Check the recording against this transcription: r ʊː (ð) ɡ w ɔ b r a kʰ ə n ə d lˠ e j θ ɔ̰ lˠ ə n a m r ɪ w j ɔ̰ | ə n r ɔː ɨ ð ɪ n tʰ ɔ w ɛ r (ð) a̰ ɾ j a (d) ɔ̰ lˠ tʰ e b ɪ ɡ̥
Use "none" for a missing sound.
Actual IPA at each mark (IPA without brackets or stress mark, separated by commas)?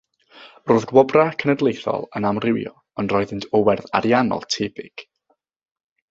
ð, ð, n